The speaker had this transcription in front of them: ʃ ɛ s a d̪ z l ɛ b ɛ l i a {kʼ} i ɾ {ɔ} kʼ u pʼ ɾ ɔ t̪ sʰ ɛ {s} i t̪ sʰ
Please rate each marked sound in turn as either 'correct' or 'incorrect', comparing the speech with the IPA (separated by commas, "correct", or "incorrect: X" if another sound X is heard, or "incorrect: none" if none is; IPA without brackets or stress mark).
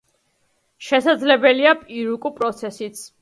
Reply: incorrect: pʼ, incorrect: u, correct